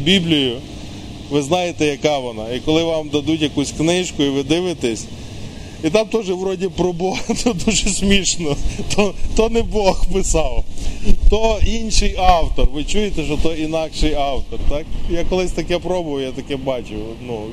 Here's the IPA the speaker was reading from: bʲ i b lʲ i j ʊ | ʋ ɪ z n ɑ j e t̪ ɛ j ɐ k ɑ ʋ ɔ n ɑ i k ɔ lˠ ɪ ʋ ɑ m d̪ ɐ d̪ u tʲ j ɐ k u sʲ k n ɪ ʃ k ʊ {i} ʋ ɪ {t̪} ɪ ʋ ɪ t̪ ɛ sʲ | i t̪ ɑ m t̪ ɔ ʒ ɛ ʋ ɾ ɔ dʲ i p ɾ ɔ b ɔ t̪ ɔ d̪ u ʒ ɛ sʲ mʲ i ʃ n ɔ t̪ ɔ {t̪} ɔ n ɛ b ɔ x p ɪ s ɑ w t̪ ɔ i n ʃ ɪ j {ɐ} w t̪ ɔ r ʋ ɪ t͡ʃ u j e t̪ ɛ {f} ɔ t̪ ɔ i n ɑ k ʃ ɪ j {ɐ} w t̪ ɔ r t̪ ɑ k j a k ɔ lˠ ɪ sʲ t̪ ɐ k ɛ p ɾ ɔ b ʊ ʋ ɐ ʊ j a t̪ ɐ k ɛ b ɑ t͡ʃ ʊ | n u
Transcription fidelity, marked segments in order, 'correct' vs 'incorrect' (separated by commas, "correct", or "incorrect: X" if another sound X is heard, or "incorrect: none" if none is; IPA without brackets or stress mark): correct, incorrect: d̪, correct, incorrect: ɑ, incorrect: ʃ, incorrect: ɑ